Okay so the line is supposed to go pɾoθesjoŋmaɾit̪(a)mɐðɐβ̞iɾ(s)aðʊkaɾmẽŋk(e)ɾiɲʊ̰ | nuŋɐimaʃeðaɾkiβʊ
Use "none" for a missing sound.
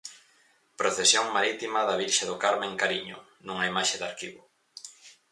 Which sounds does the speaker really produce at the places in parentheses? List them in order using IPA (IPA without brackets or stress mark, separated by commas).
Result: i, ʃ, a